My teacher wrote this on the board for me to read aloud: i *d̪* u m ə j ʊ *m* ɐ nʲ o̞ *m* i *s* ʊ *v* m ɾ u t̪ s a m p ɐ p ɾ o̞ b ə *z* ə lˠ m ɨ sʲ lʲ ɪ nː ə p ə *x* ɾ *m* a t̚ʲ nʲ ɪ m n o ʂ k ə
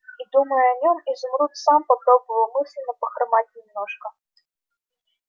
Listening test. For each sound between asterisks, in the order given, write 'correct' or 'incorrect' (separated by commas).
correct, incorrect, correct, incorrect, incorrect, incorrect, correct, correct